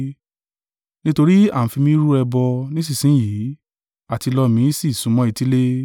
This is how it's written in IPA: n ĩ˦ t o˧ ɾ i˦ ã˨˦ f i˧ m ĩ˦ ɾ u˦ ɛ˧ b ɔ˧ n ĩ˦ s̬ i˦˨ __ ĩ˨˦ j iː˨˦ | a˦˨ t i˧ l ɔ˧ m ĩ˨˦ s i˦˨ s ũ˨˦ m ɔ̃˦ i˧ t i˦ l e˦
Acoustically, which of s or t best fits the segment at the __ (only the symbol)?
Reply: s